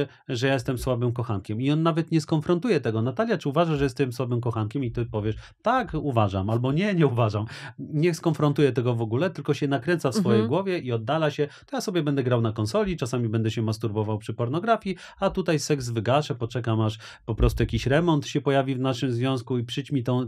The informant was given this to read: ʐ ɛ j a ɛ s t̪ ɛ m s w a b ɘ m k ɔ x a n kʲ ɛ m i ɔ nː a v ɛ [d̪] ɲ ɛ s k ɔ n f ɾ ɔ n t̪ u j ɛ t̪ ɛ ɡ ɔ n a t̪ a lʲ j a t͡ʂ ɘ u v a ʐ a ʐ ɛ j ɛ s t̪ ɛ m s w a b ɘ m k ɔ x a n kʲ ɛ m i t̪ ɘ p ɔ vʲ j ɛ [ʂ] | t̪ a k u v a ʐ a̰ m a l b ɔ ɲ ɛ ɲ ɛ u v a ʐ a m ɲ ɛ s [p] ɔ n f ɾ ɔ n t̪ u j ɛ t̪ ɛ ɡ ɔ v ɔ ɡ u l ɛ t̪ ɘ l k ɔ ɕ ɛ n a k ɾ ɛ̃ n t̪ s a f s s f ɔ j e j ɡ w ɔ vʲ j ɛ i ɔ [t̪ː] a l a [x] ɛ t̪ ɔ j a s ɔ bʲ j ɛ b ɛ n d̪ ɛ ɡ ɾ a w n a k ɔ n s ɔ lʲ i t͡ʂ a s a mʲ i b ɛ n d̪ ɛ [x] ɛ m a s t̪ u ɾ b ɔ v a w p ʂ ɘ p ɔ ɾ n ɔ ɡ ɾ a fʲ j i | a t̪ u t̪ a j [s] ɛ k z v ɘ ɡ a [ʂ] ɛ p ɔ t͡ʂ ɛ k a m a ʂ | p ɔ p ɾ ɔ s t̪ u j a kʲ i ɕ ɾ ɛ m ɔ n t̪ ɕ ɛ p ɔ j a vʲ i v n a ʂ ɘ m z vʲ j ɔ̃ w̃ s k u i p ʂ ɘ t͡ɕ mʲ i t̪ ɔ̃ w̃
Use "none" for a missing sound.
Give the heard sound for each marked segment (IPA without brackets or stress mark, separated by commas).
t̪, ʂ, k, d̪ː, ɕ, ɕ, s, ʂ